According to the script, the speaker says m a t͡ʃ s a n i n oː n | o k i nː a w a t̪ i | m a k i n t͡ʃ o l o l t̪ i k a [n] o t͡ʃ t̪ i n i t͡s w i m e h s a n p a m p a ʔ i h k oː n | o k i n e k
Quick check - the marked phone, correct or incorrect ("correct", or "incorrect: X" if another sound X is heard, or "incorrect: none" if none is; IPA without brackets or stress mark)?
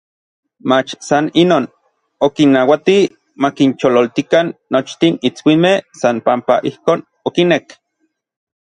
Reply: incorrect: nː